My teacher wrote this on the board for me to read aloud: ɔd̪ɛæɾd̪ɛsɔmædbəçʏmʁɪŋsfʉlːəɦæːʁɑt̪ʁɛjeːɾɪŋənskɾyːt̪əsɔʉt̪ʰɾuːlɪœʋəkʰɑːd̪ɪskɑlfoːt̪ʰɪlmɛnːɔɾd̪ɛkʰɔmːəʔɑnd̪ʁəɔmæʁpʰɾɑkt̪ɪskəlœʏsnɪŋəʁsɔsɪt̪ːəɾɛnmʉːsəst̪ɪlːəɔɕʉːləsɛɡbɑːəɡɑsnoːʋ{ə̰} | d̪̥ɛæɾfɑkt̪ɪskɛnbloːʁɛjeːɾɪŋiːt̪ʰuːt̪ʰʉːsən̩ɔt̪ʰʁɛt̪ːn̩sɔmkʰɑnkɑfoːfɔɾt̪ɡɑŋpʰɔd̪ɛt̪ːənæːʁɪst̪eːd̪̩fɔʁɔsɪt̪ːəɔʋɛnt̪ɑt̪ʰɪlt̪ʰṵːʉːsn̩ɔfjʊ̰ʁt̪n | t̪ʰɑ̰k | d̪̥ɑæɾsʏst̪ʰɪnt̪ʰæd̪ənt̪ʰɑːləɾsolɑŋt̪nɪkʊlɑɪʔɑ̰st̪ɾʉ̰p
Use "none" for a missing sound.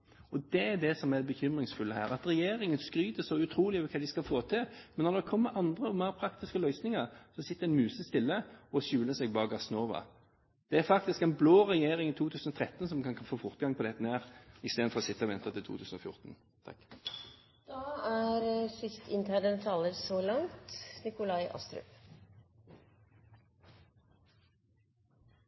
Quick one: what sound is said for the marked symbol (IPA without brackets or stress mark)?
ɑ̰